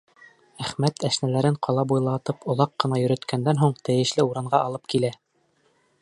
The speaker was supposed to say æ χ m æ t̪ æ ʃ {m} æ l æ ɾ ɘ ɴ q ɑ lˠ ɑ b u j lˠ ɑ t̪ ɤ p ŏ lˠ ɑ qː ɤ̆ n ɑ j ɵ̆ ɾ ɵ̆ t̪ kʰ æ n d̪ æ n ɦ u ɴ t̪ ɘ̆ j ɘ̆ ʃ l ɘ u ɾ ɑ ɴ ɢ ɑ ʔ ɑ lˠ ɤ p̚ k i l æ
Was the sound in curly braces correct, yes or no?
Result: no